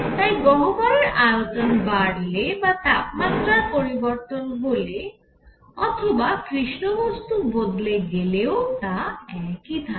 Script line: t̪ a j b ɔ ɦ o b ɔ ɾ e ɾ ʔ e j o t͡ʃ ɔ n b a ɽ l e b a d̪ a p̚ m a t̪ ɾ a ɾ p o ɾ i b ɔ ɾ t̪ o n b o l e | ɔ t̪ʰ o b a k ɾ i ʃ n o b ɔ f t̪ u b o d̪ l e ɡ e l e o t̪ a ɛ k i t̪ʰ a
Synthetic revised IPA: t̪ a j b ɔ ɦ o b ɔ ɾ e ɾ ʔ a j o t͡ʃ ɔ n b a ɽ l e b a t̪ a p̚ m a t̪ ɾ a ɾ p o ɾ i b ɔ ɾ t̪ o n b o l e | ɔ t̪ʰ o b a k ɾ i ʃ n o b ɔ s t̪ u b o d̪ l e ɡ e l e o t̪ a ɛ k i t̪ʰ a